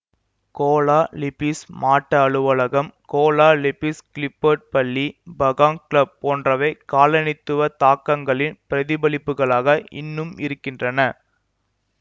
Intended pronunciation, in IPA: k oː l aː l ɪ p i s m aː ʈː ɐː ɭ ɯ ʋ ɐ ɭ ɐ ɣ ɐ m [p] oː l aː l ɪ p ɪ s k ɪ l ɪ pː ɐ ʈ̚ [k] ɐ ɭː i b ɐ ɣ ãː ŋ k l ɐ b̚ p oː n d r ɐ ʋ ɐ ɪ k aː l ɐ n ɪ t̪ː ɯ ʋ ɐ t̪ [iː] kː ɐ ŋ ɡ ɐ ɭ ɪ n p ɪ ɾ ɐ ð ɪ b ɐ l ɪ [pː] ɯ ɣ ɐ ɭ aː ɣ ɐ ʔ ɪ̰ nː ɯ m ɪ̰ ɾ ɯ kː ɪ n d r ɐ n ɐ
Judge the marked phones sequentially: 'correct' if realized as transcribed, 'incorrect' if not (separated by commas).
incorrect, incorrect, incorrect, correct